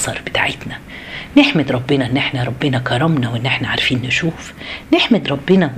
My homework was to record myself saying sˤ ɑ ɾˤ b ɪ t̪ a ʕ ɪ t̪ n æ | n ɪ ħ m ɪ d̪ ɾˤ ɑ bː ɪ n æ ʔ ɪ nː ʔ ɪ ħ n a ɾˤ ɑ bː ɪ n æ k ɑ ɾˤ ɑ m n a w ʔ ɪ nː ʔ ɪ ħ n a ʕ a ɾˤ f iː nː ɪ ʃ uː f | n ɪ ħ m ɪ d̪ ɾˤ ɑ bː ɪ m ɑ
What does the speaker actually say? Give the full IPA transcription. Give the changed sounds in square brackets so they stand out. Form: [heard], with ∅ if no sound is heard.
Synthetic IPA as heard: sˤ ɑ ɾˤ b ɪ t̪ a ʕ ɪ t̪ n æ | n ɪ ħ m ɪ d̪ ɾˤ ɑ bː ɪ n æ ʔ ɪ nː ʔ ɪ ħ n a ɾˤ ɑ bː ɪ n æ k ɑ ɾˤ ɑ m n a w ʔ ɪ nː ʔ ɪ ħ n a ʕ a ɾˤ f iː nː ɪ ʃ uː f | n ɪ ħ m ɪ d̪ ɾˤ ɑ bː ɪ [n] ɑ